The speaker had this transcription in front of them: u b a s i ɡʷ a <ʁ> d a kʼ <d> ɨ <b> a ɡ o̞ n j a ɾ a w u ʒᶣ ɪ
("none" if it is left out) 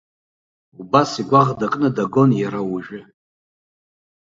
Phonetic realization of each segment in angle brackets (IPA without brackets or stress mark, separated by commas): ʁ, n, d